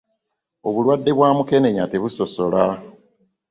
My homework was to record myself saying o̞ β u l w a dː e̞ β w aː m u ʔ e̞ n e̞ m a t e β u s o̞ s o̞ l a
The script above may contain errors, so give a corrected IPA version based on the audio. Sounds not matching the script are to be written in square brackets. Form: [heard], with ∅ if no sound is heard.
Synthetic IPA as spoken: o̞ β u l w a dː e̞ β w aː m u [k] e̞ n e̞ [ɲ] a t e β u s o̞ s o̞ l a